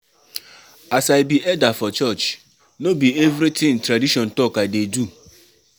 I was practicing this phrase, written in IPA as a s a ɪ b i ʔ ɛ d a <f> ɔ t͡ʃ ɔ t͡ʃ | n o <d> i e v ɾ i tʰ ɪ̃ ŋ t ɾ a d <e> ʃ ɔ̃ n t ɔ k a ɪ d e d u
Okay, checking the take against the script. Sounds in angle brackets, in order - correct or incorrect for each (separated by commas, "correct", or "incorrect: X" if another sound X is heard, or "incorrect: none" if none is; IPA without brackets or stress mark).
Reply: correct, incorrect: b, incorrect: i